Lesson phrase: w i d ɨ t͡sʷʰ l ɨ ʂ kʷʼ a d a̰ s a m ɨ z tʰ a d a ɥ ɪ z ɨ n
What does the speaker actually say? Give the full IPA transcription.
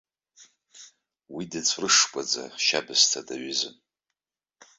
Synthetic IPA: w i d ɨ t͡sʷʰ r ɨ ʂ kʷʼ a d͡z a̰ ʃ a b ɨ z tʰ a d a ɥ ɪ z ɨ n